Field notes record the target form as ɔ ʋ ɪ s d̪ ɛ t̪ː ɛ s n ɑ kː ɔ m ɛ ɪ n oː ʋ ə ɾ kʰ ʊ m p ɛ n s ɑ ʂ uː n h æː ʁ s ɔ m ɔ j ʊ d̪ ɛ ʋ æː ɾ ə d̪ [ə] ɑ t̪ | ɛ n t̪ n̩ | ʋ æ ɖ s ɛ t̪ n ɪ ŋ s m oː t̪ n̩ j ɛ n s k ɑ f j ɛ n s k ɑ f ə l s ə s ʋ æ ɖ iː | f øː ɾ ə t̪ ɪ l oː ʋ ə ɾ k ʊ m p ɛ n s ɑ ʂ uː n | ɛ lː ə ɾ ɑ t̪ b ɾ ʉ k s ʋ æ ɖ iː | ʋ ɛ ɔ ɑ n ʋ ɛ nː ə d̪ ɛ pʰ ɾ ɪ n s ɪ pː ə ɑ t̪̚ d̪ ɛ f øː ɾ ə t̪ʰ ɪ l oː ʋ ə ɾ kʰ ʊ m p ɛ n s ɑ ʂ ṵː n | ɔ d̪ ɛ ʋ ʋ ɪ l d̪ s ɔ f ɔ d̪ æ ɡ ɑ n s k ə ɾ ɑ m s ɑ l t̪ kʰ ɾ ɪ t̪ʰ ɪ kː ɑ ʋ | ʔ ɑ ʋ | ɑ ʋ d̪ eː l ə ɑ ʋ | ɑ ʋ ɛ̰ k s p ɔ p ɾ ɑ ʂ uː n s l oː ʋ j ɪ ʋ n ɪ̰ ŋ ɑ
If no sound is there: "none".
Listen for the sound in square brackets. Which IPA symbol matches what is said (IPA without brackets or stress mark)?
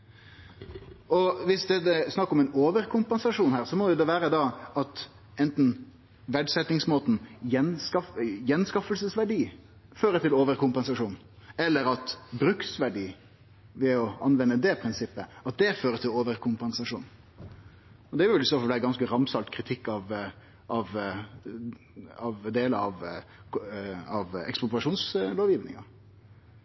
ɑ